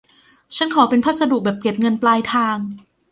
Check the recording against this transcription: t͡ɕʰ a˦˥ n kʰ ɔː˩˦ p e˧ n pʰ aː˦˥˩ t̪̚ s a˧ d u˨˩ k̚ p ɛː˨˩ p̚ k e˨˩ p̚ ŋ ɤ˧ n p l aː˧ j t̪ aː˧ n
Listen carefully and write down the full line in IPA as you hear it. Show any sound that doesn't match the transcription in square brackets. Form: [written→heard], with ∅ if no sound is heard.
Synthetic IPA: t͡ɕʰ a˦˥ n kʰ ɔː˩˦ p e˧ n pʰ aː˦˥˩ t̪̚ s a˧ d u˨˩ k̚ [p→b] ɛː˨˩ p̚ k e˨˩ p̚ ŋ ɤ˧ n p l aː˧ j [t̪→t̪ʰ] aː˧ [n→ŋ]